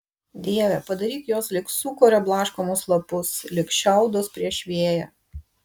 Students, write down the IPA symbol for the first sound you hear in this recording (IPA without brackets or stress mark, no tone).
d̪ʲ